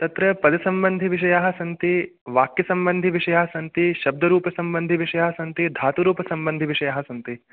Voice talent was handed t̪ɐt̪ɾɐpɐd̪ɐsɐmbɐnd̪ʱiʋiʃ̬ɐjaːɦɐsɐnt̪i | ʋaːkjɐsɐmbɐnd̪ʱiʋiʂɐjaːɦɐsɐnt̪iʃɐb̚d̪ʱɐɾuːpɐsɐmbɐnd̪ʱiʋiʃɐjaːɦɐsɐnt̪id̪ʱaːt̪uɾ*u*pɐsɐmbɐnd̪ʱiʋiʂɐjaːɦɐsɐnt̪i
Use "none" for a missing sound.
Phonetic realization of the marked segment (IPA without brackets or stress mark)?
uː